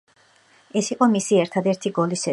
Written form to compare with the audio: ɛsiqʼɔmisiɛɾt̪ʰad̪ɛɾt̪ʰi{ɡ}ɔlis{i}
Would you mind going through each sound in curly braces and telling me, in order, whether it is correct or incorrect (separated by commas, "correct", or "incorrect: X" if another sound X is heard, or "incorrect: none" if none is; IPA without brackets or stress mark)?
correct, incorrect: ɛ